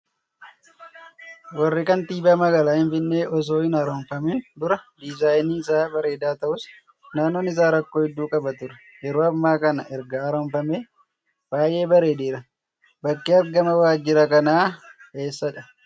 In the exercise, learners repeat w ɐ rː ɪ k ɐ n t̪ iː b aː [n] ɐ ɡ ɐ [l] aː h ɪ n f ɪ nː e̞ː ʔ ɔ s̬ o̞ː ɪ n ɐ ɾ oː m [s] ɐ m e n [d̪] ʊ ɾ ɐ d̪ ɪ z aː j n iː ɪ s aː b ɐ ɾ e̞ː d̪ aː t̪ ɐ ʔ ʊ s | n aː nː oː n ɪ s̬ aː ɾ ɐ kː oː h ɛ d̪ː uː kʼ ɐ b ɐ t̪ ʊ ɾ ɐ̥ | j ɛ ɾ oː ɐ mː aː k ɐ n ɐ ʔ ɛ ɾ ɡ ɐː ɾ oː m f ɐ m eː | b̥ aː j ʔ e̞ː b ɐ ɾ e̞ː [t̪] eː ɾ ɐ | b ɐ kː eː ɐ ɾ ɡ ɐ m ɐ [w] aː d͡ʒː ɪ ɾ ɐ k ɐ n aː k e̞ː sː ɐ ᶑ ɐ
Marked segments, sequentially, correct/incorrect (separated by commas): incorrect, correct, incorrect, correct, incorrect, correct